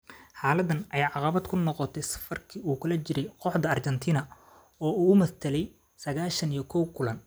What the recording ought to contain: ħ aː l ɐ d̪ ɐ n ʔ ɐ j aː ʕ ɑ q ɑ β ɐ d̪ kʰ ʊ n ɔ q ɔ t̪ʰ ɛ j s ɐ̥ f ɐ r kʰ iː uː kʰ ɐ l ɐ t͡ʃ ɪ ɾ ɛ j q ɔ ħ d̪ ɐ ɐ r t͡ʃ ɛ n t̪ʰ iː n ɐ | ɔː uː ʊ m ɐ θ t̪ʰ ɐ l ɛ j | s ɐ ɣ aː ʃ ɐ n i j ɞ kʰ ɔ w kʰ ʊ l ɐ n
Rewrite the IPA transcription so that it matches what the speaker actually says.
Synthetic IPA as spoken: ħ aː l ɐ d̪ ɐ n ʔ ɐ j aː ʕ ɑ q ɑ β ɐ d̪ kʰ ʊ n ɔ q ɔ t̪ʰ ɛ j s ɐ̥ f ɐ r kʰ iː uː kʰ ɐ l ɐ t͡ʃ ɪ ɾ ɛ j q ɔ ħ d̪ ɐ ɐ r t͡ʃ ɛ n t̪ʰ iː n ɐ | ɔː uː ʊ m ɐ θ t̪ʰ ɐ l ɛ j | s ɐ ɣ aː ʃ ɐ n i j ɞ kʰ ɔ w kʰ ʊ l ɐ n